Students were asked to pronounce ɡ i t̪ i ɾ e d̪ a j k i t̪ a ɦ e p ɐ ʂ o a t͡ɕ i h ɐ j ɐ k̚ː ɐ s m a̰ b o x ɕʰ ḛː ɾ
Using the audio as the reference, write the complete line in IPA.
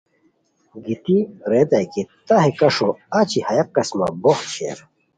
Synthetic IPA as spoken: ɡ i t̪ i ɾ e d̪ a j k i t̪ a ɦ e k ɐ ʂ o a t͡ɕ i h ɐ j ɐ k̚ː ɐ s m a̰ b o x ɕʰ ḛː ɾ